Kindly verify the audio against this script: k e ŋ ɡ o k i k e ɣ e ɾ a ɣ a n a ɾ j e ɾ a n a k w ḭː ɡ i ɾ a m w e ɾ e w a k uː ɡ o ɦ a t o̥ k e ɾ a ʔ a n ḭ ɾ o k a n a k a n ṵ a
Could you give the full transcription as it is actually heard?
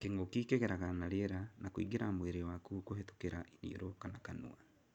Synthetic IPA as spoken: k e ŋ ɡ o k i k e ɣ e ɾ a ɣ a n a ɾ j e ɾ a n a k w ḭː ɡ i ɾ a m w e ɾ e w a k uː k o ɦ e t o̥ k e ɾ a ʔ i n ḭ ɾ o k a n a k a n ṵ a